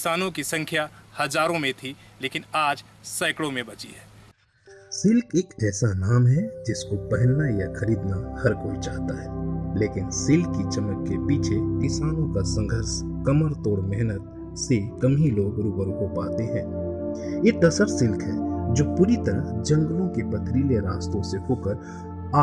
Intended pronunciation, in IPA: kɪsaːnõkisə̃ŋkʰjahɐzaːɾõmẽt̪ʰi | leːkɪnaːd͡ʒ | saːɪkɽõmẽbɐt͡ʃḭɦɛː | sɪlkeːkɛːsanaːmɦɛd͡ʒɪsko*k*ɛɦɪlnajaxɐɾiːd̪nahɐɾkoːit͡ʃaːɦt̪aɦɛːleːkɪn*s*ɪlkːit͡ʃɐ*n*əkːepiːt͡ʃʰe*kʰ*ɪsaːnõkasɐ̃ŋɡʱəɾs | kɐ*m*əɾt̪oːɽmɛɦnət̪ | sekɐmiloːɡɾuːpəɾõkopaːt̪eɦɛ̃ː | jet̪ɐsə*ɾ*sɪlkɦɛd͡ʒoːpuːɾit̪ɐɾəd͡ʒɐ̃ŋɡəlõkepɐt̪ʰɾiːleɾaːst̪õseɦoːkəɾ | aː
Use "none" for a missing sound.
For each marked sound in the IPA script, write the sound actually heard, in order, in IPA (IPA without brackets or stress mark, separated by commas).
p, s, m, k, m, ɾ